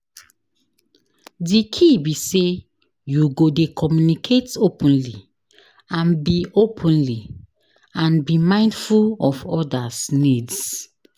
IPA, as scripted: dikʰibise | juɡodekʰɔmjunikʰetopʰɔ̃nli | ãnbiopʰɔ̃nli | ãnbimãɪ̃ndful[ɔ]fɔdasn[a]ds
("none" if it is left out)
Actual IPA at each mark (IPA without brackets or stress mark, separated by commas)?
ɔ, i